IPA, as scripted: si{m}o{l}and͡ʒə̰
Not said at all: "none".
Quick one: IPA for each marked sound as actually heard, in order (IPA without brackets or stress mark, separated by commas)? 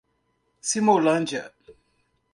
m, l